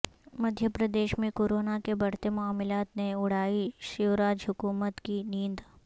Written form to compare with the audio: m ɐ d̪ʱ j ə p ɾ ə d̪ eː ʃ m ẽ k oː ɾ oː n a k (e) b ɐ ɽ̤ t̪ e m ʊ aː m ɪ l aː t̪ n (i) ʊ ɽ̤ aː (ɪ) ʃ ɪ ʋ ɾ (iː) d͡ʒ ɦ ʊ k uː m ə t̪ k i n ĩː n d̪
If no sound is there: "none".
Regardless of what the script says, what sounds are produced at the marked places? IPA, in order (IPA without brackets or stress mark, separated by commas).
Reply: e, e, i, aː